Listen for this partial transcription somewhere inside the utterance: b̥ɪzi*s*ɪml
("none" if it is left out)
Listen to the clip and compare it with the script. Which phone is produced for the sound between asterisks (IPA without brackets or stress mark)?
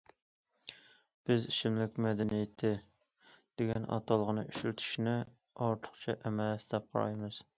ʃ